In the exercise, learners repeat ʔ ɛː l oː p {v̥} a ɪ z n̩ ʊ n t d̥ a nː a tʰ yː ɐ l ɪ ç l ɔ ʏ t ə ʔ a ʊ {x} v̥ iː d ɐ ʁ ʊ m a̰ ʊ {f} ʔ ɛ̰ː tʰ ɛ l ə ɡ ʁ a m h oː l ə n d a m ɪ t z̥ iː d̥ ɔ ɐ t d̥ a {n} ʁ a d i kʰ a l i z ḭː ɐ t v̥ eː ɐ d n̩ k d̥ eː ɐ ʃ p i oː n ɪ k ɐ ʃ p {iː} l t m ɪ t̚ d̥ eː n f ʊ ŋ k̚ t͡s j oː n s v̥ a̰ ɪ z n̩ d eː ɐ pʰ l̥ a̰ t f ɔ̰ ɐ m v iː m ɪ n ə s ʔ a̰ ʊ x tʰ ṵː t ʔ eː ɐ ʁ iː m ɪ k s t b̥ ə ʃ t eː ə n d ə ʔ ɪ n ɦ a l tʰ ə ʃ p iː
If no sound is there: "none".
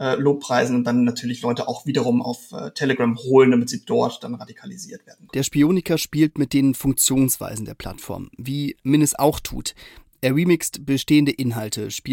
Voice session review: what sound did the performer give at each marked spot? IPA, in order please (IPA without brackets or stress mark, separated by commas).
ʁ̥, x, f, n, iː